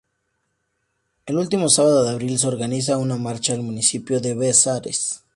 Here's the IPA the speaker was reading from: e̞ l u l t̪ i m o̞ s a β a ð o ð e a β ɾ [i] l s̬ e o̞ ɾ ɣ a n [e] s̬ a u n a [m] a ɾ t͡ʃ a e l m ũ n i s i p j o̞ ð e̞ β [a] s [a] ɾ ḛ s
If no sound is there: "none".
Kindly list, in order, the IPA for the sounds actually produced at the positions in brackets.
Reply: i, i, m, e, a

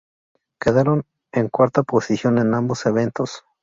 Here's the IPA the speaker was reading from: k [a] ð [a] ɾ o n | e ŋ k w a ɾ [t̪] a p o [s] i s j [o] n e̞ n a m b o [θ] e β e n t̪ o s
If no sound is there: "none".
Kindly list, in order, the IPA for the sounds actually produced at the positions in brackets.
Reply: e, a, t̪, s, o, s

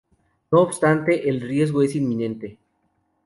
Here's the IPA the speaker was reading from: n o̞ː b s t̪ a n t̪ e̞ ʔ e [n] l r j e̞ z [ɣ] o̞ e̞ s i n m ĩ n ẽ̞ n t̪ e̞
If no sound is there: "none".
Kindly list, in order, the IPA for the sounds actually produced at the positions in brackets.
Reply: none, ɣ

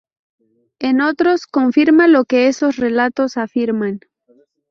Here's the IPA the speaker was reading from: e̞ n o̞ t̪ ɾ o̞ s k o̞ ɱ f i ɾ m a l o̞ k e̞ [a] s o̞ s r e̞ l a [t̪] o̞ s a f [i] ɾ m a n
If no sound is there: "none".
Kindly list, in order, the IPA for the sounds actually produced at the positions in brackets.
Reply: e, t̪, i

